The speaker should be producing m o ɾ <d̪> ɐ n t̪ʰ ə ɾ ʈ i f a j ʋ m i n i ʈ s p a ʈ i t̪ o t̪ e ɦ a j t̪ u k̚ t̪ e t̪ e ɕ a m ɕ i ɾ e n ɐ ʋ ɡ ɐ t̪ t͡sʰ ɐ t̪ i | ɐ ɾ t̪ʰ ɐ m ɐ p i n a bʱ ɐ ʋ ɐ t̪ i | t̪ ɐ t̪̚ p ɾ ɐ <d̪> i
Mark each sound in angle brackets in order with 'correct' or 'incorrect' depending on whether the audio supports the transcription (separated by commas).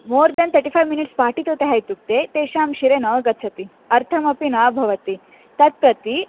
correct, incorrect